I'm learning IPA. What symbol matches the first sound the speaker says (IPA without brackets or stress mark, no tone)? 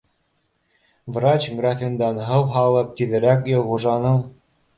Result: v